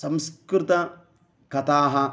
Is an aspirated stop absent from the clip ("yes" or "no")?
yes